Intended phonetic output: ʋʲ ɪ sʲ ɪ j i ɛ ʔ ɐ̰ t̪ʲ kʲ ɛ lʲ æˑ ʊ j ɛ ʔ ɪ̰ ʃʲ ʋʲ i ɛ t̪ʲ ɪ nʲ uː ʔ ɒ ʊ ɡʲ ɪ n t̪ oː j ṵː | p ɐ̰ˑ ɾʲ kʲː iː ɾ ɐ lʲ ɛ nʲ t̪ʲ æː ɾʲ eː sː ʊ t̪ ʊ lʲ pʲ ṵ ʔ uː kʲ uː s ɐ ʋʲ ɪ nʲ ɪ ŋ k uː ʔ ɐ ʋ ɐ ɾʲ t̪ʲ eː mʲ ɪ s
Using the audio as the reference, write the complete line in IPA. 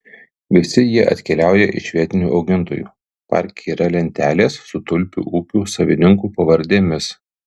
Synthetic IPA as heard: ʋʲ ɪ sʲ ɪ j i ɛ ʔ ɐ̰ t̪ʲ kʲ ɛ lʲ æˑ ʊ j ɛ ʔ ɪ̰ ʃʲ ʋʲ i ɛ t̪ʲ ɪ nʲ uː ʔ ɒ ʊ ɡʲ ɪ n t̪ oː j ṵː | p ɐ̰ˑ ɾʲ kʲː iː ɾ ɐ lʲ ɛ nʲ t̪ʲ æː lʲ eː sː ʊ t̪ ʊ lʲ pʲ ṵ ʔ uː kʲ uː s ɐ ʋʲ ɪ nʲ ɪ ŋ k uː p ɐ ʋ ɐ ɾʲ d̪ʲ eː mʲ ɪ s